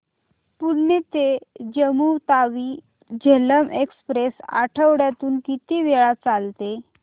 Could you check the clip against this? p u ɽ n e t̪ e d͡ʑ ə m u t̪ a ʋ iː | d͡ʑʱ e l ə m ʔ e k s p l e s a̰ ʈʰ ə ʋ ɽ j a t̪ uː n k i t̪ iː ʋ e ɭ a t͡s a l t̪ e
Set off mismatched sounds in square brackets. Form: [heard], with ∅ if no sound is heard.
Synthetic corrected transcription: p u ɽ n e t̪ e d͡ʑ ə m u t̪ a ʋ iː | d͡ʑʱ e l ə m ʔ e k s p [ɾ] e s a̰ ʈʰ ə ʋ ɽ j a t̪ uː n k i t̪ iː ʋ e ɭ a t͡s a l t̪ e